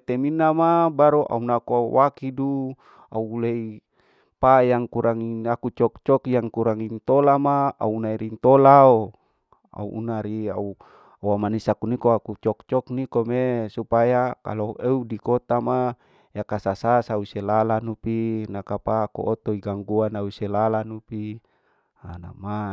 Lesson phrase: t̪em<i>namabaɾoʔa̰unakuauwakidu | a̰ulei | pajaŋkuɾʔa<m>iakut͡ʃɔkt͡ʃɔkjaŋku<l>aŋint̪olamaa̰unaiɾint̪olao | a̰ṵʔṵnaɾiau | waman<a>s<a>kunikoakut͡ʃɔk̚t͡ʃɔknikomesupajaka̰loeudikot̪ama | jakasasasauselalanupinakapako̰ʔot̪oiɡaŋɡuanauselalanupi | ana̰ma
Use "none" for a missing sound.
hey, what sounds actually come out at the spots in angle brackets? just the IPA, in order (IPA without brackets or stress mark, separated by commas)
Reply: i, ŋ, ɾ, i, a